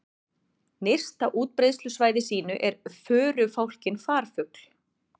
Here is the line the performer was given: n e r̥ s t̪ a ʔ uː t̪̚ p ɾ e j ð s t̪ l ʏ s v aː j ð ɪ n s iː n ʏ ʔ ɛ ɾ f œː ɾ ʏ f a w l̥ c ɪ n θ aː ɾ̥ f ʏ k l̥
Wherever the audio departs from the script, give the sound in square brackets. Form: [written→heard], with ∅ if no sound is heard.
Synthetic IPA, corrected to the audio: n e r̥ s t̪ a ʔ uː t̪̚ p ɾ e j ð s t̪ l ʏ s v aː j ð ɪ [n→∅] s iː n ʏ ʔ ɛ ɾ f œː ɾ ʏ f a w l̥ c ɪ n [θ→f] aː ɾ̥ f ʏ k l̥